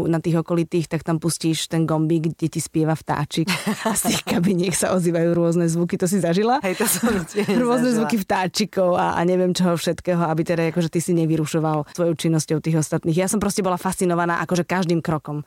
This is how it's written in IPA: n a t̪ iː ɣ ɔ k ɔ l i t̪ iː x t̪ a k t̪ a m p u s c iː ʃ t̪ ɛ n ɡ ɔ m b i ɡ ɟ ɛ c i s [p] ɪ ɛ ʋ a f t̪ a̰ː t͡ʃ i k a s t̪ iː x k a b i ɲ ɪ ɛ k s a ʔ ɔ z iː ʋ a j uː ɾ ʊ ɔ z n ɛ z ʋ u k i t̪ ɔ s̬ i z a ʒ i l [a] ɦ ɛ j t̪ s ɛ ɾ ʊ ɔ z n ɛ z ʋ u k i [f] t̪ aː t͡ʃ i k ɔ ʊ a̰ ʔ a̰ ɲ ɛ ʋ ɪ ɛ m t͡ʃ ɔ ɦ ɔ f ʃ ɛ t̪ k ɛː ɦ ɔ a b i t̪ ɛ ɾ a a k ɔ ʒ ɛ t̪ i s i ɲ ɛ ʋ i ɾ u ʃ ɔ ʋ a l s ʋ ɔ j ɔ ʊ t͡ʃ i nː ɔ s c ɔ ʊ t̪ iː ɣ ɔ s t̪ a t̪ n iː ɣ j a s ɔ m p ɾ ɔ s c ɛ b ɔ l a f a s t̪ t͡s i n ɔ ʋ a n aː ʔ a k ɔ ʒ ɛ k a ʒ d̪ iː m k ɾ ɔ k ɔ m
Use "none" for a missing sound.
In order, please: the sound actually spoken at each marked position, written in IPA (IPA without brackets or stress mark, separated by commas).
p, a, f